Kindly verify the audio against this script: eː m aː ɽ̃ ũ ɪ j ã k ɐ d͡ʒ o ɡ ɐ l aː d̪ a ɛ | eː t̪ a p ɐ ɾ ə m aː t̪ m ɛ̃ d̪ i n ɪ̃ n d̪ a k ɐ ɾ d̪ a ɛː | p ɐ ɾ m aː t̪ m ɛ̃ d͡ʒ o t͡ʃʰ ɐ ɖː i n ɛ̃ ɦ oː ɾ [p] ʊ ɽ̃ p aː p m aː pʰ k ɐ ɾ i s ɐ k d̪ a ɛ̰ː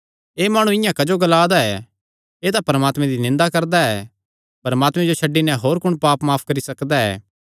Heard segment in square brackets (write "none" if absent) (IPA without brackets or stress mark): k